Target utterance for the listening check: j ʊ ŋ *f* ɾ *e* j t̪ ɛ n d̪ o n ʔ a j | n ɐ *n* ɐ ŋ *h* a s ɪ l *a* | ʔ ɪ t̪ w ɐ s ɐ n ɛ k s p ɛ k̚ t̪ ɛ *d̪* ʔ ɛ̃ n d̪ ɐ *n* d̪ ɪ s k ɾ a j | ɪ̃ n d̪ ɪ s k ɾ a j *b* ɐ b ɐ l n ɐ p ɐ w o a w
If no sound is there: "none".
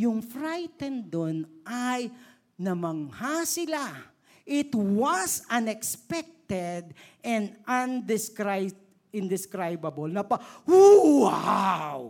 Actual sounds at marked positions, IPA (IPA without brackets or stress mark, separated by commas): f, a, m, h, a, d̪, n, b